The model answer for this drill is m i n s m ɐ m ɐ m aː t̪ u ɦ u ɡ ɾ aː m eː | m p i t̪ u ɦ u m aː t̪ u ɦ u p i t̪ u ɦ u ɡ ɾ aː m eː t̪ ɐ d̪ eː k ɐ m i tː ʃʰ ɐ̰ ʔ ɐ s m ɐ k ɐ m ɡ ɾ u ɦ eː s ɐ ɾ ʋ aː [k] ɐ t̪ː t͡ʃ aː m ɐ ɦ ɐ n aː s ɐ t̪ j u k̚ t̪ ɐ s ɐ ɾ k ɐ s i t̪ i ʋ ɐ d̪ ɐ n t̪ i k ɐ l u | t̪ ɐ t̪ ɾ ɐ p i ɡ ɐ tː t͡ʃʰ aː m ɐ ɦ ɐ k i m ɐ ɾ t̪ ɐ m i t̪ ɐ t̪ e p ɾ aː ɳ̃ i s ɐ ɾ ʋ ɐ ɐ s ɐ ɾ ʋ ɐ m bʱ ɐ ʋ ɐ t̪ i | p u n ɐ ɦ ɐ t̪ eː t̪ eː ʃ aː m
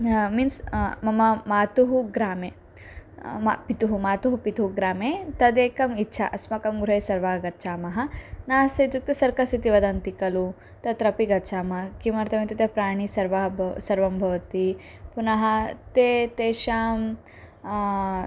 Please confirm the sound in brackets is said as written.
no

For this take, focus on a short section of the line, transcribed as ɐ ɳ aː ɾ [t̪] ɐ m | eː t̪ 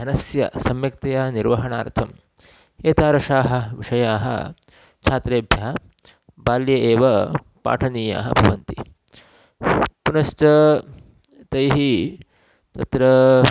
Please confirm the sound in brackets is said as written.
no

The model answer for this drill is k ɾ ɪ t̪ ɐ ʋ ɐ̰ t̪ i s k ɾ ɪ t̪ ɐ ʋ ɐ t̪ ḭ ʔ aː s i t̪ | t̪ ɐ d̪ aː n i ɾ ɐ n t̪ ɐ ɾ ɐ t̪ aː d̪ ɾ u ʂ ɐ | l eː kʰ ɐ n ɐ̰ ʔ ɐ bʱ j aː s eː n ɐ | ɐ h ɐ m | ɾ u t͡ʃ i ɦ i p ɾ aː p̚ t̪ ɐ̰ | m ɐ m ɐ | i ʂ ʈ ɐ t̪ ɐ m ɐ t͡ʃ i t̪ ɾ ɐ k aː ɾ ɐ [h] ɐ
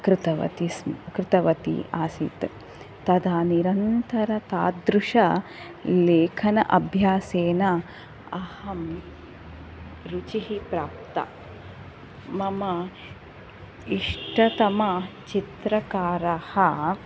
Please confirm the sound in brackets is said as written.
yes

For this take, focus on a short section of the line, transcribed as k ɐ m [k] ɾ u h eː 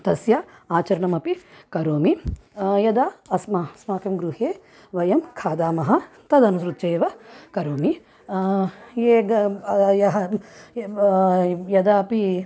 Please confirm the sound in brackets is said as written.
no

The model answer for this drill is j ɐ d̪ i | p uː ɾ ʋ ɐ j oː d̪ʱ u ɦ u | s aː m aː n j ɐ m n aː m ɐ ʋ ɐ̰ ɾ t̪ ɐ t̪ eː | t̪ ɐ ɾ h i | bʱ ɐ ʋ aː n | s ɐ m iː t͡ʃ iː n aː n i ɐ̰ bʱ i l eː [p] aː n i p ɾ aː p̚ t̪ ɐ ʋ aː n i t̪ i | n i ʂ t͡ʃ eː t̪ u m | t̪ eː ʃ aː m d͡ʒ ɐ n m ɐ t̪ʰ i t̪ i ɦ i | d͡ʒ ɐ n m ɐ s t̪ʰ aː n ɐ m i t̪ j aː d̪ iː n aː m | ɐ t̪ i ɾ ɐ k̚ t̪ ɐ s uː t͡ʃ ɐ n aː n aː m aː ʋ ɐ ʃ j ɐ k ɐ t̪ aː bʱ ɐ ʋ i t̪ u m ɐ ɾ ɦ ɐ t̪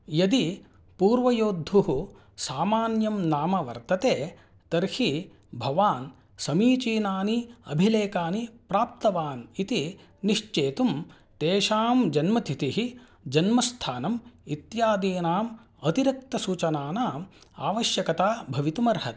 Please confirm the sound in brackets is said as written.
no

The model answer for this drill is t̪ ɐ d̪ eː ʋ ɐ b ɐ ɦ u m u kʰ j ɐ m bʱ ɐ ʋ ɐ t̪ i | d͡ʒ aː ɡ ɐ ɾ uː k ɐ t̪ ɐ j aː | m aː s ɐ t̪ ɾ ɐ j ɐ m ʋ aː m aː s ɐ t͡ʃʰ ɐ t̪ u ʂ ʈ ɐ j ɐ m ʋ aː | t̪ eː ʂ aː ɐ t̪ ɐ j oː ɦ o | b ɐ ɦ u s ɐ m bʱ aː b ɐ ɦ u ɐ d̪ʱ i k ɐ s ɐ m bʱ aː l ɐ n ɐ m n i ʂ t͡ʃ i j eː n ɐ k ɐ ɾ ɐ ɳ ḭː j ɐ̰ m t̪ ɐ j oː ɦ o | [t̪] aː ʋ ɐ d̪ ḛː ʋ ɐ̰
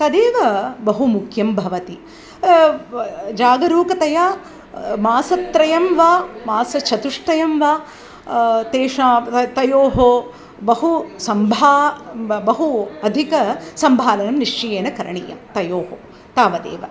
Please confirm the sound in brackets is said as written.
yes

